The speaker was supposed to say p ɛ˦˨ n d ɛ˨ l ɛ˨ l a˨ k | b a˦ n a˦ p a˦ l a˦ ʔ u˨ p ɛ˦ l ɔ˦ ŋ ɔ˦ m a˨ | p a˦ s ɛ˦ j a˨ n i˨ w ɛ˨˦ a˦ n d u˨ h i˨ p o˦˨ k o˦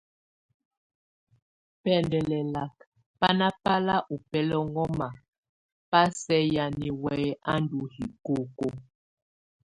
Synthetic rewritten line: p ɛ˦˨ n d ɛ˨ l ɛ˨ l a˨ k | p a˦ n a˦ p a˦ l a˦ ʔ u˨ p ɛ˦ l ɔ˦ ŋ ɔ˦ m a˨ | p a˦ s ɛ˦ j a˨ n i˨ w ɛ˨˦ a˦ n d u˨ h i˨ k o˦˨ k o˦